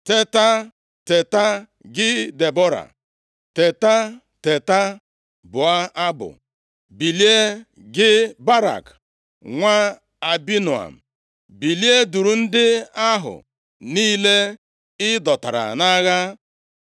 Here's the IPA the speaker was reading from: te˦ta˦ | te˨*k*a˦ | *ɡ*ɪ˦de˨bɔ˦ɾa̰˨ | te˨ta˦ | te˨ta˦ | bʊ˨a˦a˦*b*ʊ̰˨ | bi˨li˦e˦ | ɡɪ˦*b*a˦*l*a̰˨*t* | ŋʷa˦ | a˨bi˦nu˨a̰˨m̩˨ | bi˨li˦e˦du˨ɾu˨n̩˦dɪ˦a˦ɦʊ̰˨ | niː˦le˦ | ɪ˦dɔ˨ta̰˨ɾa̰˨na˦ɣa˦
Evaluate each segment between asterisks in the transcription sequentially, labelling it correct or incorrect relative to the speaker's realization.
incorrect: t, correct, correct, correct, incorrect: ɾ, incorrect: k

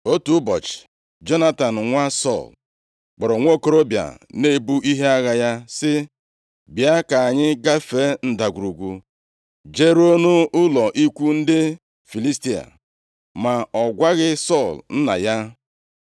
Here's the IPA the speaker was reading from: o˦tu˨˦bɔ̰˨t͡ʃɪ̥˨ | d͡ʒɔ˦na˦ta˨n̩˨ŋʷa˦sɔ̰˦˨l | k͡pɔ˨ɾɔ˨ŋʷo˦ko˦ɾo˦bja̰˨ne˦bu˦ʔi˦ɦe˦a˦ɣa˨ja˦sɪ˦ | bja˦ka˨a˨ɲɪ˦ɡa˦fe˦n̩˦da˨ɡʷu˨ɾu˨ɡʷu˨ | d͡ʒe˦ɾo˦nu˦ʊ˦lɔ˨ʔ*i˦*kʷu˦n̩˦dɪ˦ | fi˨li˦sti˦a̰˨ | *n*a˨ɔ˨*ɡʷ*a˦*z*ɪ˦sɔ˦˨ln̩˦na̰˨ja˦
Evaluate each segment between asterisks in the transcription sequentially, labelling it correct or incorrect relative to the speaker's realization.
correct, incorrect: m, correct, incorrect: ɣ

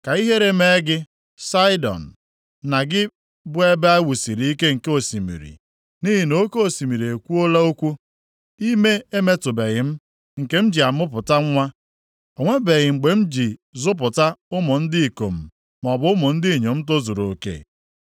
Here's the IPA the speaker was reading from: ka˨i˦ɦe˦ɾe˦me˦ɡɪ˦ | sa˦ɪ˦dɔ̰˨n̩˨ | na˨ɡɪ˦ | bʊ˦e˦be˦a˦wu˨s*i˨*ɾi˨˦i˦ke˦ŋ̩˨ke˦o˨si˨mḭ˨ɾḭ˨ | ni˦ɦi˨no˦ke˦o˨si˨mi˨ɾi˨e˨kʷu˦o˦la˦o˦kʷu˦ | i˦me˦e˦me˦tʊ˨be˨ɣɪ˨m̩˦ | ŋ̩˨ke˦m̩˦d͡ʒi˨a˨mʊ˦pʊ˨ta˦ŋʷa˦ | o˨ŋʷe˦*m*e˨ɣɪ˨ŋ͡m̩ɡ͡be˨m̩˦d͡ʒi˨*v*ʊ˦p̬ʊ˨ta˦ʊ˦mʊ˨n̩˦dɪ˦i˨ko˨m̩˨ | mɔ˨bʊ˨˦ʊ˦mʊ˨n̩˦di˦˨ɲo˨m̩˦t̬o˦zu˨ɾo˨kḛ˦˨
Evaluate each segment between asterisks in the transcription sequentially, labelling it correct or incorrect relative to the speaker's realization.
correct, incorrect: b, incorrect: z

